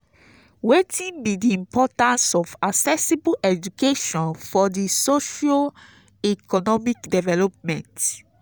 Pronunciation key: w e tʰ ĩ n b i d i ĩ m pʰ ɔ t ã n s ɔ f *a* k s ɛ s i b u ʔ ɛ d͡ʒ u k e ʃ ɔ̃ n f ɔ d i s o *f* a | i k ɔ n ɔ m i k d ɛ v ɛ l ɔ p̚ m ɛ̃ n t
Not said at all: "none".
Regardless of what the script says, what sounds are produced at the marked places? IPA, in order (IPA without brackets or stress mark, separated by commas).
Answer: a, ʃ